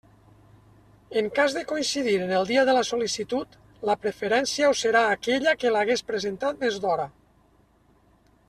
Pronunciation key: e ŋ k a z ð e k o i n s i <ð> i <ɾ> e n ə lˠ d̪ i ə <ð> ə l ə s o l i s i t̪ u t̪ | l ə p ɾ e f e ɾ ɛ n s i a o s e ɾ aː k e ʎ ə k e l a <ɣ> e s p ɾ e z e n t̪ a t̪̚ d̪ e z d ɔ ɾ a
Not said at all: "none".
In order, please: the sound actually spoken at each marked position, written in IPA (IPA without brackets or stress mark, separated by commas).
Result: ð, ɾ, ð, ɣ